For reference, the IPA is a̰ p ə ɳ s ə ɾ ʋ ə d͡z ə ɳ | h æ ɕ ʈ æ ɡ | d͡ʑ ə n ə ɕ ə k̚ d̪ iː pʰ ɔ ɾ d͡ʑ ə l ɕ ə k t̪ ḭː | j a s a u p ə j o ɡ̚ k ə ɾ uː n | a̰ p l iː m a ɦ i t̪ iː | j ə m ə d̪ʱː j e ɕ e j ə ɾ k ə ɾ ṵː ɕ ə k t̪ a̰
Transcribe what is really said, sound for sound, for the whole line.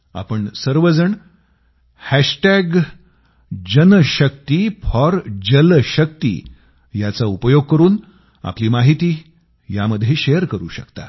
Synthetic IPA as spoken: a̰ p ə ɳ s ə ɾ ʋ ə d͡z ə ɳ | h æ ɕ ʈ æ ɡ | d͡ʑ ə n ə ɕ ə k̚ t̪ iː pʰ ɔ ɾ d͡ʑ ə l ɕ ə k t̪ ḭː | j a t͡s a u p ə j o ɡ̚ k ə ɾ uː n | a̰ p l iː m a ɦ i t̪ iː | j a m ə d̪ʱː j e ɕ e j ə ɾ k ə ɾ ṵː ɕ ə k t̪ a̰